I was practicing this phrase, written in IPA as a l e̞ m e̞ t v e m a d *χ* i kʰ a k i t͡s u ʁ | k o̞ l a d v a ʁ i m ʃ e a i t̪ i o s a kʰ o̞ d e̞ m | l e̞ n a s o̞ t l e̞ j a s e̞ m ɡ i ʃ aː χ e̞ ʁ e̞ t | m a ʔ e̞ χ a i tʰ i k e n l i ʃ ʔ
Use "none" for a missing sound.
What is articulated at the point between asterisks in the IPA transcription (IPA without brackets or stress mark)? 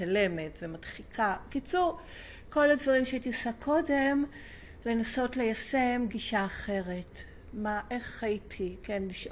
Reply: χ